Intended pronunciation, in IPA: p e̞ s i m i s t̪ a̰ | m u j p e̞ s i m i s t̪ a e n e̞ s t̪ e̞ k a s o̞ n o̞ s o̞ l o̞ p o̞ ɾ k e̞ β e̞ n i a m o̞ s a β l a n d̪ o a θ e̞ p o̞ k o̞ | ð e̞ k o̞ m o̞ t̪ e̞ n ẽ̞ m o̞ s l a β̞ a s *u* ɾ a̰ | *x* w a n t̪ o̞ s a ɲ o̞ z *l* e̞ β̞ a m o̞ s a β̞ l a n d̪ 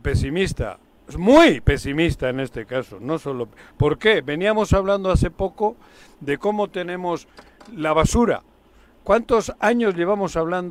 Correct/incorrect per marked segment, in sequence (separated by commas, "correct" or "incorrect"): correct, incorrect, incorrect